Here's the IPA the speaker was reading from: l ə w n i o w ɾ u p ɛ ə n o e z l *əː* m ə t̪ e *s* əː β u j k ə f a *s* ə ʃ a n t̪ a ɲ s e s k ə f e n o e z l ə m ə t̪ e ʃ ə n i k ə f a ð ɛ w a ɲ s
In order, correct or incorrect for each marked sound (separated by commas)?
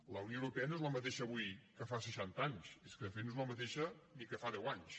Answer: incorrect, incorrect, correct